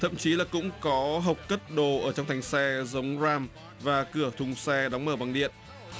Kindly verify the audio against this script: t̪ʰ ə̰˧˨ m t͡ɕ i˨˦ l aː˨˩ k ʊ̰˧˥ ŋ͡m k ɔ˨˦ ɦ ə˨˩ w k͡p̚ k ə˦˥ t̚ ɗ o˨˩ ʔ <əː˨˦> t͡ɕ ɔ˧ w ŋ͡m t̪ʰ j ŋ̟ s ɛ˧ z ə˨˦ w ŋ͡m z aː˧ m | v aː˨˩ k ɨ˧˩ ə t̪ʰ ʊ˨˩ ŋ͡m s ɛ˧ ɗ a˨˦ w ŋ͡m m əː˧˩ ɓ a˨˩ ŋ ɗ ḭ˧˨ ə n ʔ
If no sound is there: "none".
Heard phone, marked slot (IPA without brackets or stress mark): əː˧˩